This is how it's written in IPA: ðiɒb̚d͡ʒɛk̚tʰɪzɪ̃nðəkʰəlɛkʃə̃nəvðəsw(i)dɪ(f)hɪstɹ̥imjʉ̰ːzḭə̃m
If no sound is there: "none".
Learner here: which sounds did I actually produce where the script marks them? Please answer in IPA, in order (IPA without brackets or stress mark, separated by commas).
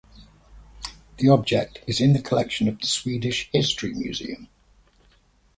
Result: iː, ʃ